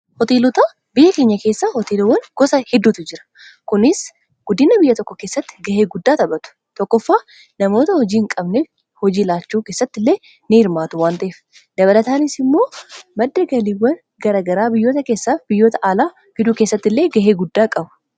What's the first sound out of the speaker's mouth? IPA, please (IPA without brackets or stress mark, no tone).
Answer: h